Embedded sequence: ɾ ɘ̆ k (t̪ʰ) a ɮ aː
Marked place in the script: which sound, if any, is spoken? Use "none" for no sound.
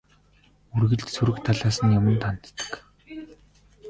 t̪ʰ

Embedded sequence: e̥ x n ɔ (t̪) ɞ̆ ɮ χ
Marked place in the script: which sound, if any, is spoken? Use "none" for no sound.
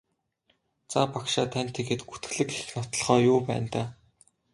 t̪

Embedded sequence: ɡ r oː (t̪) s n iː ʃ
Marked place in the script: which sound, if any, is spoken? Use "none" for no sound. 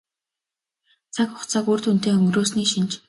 none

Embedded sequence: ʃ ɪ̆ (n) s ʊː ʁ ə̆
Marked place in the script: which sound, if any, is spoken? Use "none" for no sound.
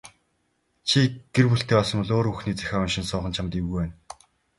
n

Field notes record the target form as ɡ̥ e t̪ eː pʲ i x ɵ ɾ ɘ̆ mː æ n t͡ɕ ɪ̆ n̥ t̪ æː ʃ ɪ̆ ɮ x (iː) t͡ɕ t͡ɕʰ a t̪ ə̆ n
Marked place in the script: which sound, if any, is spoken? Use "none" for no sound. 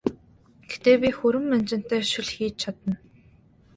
iː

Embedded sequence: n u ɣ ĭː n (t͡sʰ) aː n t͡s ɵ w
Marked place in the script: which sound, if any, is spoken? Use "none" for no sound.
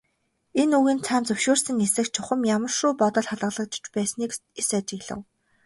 t͡sʰ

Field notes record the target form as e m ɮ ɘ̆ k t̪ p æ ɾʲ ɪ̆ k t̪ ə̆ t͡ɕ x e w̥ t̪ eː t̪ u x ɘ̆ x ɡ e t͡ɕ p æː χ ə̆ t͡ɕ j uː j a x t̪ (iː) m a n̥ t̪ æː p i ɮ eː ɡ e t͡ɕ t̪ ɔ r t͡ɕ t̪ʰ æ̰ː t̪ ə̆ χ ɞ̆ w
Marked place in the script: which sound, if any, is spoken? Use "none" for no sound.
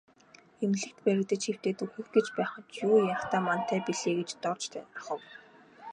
aː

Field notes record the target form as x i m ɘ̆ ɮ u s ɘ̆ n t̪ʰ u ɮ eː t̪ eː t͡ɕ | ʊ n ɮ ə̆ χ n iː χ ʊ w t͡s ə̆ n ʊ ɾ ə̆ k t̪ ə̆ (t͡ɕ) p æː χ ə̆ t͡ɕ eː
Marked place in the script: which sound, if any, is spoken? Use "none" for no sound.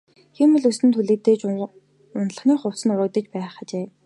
t͡ɕ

